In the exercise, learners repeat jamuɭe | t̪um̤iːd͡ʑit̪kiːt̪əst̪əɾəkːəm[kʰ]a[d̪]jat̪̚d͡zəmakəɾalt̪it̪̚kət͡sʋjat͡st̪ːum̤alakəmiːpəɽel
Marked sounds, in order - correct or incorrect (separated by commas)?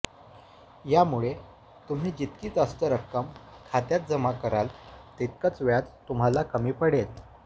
correct, incorrect